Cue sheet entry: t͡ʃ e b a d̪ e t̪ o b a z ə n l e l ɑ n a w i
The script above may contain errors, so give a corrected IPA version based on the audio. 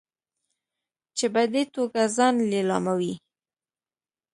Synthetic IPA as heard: t͡ʃ e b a d̪ e t̪ o ɡ a z ɑ n l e l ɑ m a w i